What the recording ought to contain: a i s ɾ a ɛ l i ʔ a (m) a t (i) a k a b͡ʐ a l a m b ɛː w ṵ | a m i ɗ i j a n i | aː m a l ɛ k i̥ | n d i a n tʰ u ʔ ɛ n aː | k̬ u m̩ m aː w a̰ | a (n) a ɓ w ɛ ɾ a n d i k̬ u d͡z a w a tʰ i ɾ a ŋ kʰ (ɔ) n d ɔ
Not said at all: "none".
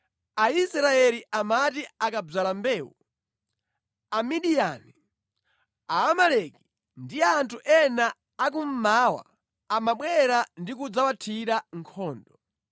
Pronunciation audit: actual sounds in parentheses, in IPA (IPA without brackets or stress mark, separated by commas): m, i, m, ɔː